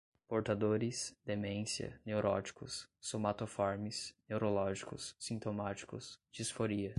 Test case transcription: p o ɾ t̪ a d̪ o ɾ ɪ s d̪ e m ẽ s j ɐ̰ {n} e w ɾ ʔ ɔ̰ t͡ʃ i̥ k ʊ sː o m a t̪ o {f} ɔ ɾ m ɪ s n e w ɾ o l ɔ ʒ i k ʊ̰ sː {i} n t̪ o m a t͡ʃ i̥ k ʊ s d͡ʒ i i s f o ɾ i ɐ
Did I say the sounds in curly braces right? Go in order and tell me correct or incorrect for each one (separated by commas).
correct, correct, incorrect